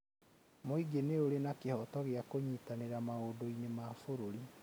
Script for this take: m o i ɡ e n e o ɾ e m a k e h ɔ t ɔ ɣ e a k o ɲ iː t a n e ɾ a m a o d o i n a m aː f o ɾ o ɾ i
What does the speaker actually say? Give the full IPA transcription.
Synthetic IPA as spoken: m o i ɡ e n e o ɾ e n a k e h ɔ t ɔ ɣ e a k o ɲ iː t a n e ɾ a m a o d o i n e m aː f o ɾ o ɾ i